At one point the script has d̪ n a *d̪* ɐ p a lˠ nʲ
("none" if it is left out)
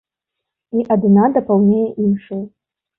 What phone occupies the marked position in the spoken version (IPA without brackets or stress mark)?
d̪